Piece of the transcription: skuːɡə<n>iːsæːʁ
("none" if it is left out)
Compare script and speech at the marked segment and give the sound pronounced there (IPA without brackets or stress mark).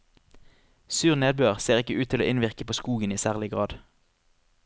n